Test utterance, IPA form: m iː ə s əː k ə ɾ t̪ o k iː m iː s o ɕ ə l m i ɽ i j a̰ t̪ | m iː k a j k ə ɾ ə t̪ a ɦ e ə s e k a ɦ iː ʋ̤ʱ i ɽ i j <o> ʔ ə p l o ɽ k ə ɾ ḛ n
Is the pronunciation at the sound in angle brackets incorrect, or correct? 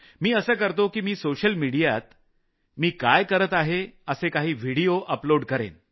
correct